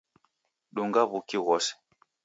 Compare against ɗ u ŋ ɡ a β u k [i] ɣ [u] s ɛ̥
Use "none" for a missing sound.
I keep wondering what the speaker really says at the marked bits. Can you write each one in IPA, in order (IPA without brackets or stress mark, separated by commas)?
i, ɔ